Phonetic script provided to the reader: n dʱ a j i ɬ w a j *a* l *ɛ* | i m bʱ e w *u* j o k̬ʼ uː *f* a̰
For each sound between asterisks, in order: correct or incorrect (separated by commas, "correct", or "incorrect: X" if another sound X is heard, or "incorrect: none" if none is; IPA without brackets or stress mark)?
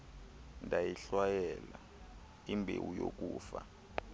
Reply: incorrect: ɛ, incorrect: a, correct, correct